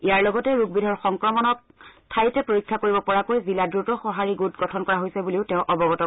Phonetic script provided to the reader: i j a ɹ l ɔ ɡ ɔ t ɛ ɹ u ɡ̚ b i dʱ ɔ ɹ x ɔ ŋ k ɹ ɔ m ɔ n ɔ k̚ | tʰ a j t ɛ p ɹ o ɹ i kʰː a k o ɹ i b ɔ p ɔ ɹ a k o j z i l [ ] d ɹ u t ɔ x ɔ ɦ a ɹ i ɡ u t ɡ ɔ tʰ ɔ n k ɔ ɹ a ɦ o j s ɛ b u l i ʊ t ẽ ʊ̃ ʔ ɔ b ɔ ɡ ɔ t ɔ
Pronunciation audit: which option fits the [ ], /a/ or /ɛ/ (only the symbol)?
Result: a